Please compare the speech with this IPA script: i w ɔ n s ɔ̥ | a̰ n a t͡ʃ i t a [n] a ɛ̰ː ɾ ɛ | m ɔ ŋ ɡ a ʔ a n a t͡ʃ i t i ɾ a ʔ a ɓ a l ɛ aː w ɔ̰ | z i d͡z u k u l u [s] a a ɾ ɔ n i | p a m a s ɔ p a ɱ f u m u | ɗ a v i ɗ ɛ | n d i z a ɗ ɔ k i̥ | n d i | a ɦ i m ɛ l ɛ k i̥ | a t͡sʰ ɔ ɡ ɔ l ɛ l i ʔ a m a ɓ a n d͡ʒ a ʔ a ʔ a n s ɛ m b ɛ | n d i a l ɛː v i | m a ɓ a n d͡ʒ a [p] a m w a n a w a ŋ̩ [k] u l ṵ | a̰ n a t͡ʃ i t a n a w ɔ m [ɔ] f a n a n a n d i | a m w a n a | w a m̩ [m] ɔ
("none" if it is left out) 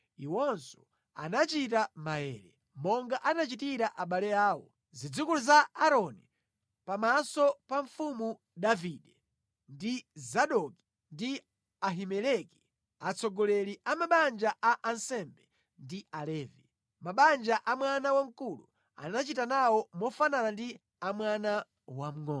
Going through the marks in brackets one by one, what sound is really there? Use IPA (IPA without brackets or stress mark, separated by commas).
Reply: m, z, ʔ, k, ɔ, ŋ